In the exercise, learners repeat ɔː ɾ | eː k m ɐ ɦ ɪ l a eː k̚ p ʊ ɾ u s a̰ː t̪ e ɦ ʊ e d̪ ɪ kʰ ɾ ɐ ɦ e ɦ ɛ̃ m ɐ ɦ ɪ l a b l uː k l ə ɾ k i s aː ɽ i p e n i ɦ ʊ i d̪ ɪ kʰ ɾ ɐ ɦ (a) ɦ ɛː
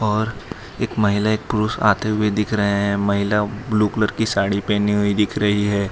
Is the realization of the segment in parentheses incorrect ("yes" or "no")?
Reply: yes